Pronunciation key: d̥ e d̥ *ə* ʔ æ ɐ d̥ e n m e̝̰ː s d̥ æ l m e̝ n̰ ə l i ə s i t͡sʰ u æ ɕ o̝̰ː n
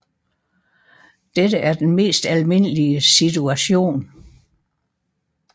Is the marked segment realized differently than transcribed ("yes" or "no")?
no